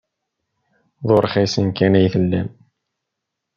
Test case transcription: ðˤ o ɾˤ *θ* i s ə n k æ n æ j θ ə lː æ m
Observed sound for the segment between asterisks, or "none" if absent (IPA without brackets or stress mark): χ